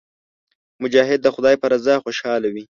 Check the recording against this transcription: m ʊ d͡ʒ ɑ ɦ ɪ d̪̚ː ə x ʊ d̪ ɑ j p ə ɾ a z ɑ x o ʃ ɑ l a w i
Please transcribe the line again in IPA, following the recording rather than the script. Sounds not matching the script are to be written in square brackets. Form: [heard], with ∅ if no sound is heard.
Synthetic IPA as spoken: m ʊ d͡ʒ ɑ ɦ ɪ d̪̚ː ə x ʊ d̪ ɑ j p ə ɾ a z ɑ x o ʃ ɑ l a w i